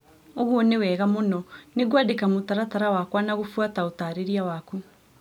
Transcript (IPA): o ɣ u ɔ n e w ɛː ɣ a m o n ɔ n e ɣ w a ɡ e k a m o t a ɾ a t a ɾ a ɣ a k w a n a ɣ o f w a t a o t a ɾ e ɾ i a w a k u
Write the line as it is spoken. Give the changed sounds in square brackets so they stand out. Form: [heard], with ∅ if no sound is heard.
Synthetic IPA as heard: o ɣ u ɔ n e w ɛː ɣ a m o n ɔ n e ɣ w a [d] e k a m o t a ɾ a t a ɾ a [w] a k w a n a ɣ o f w a t a o t a ɾ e ɾ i a w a k u